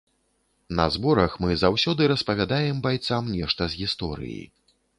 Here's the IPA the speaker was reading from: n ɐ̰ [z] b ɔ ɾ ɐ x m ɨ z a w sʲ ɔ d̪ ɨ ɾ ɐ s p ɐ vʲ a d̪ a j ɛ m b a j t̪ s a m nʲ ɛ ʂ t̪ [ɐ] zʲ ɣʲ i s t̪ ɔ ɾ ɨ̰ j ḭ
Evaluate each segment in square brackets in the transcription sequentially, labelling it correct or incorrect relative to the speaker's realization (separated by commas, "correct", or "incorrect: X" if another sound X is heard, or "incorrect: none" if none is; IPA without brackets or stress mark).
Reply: correct, correct